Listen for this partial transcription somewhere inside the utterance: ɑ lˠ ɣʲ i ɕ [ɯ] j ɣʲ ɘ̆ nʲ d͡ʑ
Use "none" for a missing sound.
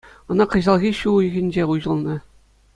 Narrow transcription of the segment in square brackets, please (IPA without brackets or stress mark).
u